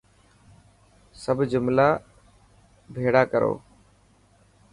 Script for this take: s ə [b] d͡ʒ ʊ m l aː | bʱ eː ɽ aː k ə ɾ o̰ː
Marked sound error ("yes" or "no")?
no